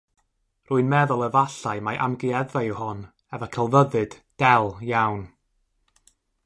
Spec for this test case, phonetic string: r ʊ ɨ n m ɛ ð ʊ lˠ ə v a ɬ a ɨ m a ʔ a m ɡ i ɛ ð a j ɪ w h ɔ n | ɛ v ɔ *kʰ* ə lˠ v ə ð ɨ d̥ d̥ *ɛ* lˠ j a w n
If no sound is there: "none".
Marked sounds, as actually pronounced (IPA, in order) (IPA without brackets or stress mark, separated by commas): kʰ, ɛ